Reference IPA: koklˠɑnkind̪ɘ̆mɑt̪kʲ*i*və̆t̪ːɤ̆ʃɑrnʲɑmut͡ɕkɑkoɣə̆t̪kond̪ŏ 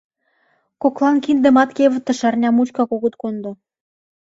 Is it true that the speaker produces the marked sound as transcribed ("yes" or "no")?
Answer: no